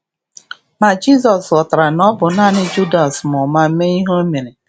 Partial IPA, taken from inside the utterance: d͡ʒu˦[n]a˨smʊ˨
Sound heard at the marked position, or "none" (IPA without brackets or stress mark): d